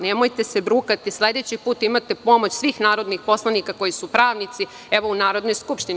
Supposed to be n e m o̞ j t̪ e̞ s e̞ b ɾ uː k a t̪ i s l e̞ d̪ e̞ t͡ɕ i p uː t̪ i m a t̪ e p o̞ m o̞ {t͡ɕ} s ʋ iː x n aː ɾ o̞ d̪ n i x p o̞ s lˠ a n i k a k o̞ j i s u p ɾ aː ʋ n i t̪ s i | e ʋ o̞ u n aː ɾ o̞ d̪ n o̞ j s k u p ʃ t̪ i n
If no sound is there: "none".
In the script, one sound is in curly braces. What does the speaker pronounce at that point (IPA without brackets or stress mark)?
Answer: t͡ɕ